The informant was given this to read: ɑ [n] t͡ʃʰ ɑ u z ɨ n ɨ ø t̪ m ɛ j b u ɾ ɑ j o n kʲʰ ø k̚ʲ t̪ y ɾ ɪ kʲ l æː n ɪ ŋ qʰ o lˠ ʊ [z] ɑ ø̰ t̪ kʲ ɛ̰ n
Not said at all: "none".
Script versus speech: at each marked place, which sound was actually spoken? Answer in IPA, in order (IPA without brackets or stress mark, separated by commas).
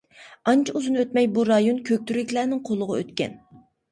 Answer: n, ʁ